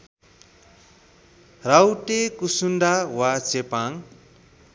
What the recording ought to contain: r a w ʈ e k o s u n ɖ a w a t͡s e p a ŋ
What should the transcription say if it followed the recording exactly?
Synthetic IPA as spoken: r a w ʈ e k u s u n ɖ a w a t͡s e p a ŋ

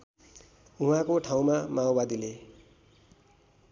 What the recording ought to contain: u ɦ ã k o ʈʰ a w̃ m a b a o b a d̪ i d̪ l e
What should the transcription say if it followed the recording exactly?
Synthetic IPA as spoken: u ɦ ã k o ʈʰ a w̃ m a m a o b a d̪ i l e

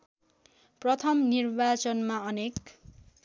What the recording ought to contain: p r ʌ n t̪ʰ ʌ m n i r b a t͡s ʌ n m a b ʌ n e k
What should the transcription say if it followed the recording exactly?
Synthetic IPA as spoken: p r ʌ t̪ʰ ʌ m n i r b a t͡s ʌ n m a ʌ n e k

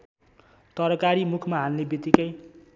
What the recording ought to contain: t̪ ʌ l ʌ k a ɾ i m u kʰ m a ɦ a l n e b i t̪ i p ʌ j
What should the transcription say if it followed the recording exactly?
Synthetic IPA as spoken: t̪ ʌ ɾ ʌ k a ɾ i m u kʰ m a ɦ a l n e b i t̪ i k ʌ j

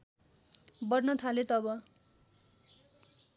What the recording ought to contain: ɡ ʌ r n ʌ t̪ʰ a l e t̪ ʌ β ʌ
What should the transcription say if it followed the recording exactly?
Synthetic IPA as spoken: b ʌ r n ʌ t̪ʰ a l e t̪ ʌ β ʌ

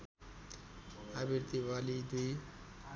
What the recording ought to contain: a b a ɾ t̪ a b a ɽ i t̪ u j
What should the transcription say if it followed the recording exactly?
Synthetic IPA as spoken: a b i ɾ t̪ i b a l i d̪ u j

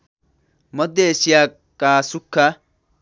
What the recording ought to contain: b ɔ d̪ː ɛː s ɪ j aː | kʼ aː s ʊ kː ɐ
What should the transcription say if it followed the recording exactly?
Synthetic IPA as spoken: m ɔ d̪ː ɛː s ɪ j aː | kʼ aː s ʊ kː ɐ

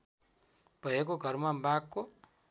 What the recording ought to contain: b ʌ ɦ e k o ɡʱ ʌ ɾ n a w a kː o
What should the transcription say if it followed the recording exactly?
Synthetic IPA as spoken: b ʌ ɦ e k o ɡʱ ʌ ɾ m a b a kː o

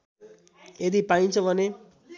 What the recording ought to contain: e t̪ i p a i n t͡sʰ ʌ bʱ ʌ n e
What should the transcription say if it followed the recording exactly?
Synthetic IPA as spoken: e d̪ i p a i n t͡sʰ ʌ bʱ ʌ n e

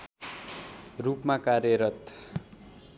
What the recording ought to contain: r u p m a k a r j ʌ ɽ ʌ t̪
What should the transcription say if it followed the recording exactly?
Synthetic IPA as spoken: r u p m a k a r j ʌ ɾ ʌ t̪

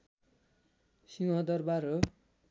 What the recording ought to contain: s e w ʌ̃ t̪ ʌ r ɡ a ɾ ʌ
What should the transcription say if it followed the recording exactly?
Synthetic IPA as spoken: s i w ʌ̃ d̪ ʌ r b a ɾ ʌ

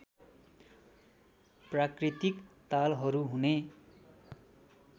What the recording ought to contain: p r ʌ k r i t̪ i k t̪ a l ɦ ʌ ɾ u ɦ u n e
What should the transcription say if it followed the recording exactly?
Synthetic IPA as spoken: p r a k r i t̪ i k t̪ a l ɦ ʌ ɾ u ɦ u n e

